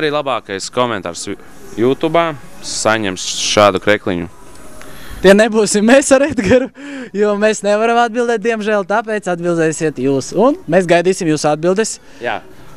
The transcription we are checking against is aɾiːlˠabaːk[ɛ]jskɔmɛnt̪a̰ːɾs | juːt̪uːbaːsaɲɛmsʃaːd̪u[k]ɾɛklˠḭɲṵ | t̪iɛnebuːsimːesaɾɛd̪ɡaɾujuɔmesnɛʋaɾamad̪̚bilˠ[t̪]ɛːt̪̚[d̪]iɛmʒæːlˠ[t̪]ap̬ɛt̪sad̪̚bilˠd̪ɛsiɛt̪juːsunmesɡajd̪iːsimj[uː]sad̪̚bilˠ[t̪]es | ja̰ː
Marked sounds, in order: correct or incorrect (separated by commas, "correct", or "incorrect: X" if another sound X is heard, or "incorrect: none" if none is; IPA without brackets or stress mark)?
incorrect: a, correct, incorrect: d̪, correct, correct, correct, incorrect: d̪